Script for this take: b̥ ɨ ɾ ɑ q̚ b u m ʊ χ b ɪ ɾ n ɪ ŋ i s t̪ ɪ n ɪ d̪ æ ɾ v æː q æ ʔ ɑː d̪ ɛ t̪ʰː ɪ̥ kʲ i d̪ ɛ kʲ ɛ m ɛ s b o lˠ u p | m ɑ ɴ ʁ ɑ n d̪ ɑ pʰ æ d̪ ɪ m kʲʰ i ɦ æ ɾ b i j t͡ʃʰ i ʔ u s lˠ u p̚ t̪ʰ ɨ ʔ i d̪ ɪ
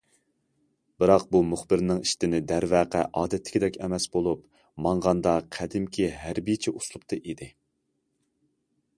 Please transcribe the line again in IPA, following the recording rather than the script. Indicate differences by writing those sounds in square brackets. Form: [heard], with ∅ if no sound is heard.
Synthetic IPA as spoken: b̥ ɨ ɾ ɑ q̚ b u m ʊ χ b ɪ ɾ n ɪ ŋ i [ʃ] t̪ ɪ n ɪ d̪ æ ɾ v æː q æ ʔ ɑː d̪ ɛ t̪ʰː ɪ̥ kʲ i d̪ ɛ kʲ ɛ m ɛ s b o lˠ u p | m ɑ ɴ ʁ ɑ n d̪ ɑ [qʰ] æ d̪ ɪ m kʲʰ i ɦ æ ɾ b i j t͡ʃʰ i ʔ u s lˠ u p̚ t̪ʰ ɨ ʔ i d̪ ɪ